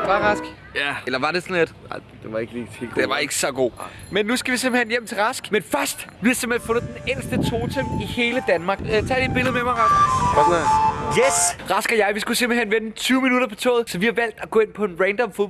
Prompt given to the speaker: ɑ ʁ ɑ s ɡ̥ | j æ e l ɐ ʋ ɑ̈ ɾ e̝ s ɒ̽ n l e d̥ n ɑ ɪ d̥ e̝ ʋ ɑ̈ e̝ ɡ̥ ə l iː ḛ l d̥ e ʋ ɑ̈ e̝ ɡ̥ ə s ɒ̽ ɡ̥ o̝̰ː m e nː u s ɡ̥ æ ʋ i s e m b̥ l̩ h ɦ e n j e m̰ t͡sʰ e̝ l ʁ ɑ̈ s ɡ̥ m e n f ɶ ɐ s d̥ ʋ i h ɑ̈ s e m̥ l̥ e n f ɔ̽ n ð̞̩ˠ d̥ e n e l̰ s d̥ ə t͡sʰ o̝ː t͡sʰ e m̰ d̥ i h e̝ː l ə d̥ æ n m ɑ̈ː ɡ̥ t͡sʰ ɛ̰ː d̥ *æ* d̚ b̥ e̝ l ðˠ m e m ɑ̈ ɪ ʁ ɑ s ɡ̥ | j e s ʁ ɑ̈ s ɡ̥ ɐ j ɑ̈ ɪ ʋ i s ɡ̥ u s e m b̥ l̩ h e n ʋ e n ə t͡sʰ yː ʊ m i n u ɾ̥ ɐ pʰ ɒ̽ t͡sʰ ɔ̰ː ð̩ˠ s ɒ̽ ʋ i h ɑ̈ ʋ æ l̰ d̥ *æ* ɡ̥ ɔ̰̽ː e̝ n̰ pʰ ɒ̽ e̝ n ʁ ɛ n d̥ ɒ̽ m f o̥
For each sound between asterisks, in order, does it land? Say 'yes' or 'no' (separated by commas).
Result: no, yes